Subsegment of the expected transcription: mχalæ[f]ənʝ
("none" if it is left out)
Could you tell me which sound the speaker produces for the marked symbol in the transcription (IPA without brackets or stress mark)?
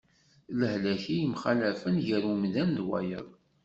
f